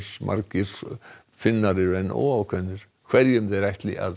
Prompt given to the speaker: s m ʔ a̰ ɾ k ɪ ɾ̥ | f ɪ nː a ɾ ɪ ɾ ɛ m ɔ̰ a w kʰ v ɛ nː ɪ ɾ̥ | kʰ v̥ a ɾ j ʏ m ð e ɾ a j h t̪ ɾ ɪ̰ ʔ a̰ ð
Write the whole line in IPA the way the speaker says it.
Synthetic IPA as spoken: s m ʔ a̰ ɾ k ɪ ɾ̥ | f ɪ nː a ɾ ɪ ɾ ɛ n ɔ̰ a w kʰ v ɛ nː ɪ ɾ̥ | kʰ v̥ ɛ ɾ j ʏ m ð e ɾ a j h t̪ l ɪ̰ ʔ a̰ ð